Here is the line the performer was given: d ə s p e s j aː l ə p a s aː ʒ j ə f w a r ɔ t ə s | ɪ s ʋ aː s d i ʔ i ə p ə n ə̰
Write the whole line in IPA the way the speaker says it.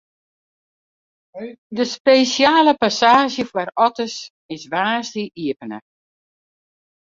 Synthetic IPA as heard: d ə s p e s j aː l ə p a s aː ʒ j ə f w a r ɔ t ə s | ɪ s ʋ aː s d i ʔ i ə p ə n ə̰